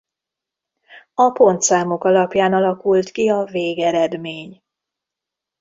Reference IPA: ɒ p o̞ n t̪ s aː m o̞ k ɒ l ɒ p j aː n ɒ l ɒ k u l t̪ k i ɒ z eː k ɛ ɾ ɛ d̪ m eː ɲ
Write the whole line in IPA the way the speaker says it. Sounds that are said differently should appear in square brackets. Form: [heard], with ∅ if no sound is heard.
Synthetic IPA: ɒ p o̞ n t̪ s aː m o̞ k ɒ l ɒ p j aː n ɒ l ɒ k u l t̪ k i ɒ [v] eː [ɡ] ɛ ɾ ɛ d̪ m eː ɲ